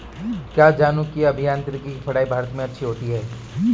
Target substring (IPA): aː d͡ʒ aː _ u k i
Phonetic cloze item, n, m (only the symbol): n